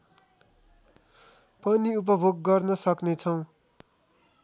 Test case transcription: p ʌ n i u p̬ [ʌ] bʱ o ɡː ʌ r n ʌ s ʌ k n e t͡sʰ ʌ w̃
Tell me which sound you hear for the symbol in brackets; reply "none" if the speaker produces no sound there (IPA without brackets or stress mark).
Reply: ʌ